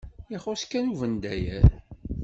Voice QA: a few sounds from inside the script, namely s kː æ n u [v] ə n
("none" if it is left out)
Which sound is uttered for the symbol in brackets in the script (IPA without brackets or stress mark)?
v